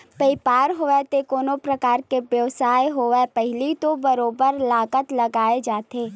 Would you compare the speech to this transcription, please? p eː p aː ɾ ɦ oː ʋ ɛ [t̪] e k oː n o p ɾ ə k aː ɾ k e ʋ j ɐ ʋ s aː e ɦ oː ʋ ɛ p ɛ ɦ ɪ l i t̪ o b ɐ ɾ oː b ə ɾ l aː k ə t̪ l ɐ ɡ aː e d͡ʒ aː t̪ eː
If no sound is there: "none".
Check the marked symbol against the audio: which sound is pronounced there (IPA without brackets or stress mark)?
t̪